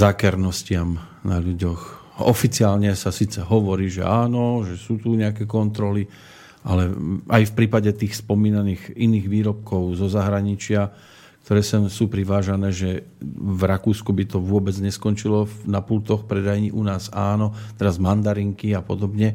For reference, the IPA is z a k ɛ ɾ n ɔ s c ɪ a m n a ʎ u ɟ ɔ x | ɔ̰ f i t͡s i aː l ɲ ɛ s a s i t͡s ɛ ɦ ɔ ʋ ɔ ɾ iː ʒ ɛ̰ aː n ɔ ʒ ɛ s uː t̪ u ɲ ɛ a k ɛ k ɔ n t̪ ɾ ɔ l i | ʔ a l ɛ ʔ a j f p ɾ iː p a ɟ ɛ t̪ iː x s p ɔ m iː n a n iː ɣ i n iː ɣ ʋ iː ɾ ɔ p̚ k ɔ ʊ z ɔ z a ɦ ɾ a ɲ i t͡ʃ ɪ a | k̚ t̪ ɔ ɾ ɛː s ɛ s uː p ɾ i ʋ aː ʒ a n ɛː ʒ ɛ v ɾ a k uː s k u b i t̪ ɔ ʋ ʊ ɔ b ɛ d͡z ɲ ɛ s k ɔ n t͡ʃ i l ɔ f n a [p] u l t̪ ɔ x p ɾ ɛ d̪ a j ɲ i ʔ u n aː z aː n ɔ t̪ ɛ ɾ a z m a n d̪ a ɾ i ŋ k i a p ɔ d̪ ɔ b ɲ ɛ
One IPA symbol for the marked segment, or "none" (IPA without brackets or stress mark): p